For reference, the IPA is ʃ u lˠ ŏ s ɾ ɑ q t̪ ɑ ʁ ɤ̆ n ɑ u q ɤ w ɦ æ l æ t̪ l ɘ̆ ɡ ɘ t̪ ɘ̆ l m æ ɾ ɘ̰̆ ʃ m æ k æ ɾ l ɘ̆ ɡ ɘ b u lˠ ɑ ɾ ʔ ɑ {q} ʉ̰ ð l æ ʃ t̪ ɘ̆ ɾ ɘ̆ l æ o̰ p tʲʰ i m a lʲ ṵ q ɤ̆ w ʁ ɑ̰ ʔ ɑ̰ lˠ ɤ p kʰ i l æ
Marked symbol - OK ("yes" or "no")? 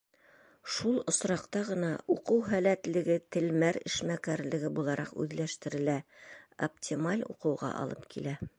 yes